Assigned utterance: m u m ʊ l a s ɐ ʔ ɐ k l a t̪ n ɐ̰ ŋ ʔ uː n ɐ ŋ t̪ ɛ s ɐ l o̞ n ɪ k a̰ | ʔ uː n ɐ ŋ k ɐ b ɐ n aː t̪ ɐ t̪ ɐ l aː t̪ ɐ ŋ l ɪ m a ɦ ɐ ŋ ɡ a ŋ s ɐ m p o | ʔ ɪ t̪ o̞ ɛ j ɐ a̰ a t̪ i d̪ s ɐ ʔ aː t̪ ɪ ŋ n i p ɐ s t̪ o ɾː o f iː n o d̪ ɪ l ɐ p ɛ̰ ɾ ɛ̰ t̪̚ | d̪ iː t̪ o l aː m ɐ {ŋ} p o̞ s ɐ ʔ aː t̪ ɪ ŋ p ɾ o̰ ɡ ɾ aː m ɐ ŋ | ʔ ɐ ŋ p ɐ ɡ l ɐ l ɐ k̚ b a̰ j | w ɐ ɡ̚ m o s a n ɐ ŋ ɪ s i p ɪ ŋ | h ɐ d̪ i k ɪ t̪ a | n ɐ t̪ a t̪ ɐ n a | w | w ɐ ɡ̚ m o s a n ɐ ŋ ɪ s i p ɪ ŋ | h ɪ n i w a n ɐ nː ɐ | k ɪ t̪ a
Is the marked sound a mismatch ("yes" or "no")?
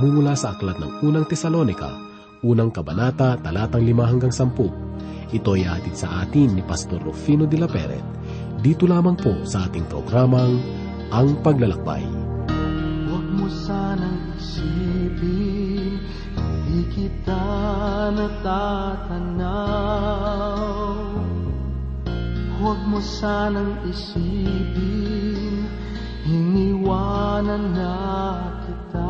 no